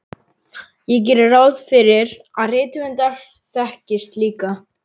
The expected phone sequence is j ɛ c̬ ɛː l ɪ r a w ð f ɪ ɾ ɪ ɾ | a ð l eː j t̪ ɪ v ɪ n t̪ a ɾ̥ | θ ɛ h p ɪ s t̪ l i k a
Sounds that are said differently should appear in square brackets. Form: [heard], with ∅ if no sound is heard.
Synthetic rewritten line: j ɛ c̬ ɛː [ɾ] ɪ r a w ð f ɪ ɾ ɪ ɾ | a ð [r] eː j t̪ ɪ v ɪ n t̪ a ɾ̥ | θ ɛ h [c] ɪ s t̪ l [iː] k a